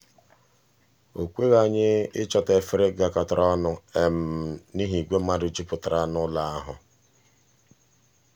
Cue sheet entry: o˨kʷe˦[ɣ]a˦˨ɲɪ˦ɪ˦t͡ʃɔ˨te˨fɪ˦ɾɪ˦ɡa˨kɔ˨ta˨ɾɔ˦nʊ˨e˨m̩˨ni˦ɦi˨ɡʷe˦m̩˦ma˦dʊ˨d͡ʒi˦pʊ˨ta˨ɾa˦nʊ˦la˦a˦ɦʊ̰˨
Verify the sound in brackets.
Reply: correct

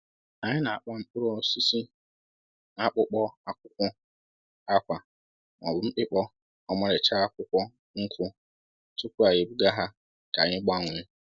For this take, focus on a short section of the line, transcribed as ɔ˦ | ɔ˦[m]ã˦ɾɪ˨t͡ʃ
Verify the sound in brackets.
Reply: correct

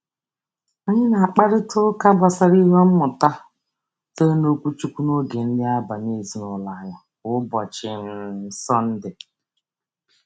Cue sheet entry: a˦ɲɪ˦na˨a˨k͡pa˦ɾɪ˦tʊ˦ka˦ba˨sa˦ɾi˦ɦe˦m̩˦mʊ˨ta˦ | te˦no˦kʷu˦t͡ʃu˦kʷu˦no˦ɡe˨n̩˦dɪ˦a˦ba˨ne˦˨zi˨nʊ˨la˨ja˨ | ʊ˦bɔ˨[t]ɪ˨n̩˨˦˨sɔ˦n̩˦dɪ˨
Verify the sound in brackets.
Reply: incorrect: t͡ʃ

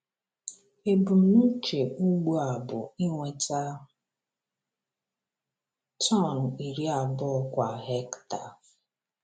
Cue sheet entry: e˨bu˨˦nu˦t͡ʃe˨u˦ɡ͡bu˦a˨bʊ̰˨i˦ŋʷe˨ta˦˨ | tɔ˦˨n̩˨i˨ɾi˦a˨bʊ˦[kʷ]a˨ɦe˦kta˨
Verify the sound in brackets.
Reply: correct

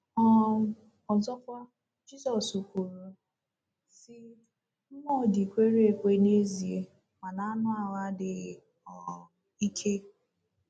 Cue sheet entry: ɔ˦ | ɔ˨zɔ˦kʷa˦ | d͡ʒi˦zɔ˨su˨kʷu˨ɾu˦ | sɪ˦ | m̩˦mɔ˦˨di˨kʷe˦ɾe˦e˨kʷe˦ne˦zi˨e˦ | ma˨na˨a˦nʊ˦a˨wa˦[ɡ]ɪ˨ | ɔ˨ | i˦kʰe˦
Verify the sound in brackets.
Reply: incorrect: d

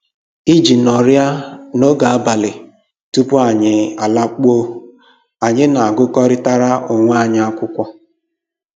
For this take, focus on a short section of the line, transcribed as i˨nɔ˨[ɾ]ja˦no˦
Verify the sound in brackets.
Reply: correct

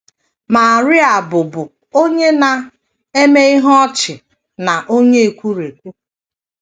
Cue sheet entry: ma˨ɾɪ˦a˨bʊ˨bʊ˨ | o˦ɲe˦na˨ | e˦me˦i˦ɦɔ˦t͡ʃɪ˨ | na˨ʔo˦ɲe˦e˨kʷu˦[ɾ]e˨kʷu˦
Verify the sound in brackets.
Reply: correct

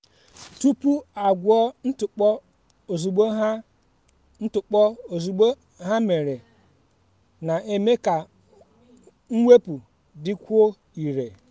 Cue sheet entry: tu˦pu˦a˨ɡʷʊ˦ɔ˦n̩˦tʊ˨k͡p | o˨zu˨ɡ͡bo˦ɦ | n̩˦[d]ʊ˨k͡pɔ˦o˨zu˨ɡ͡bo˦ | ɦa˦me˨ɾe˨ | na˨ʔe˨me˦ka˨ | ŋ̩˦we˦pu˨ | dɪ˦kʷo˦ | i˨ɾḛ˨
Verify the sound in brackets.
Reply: incorrect: t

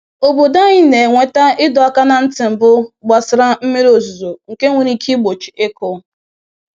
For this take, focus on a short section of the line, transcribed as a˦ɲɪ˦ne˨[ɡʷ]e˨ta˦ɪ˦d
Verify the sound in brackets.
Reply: incorrect: ŋʷ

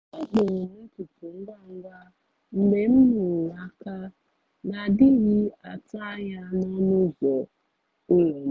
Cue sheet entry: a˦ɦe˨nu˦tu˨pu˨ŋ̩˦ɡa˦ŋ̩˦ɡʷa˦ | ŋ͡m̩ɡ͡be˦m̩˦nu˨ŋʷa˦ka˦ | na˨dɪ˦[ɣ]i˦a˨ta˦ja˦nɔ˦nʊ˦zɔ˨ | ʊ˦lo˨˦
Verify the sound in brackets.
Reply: correct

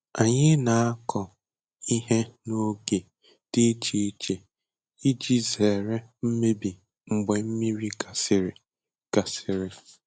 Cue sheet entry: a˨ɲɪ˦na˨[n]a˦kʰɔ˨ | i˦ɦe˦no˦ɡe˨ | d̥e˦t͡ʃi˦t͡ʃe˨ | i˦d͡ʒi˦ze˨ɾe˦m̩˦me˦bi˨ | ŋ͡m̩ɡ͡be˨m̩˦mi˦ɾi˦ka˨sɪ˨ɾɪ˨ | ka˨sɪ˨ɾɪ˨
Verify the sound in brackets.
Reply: incorrect: none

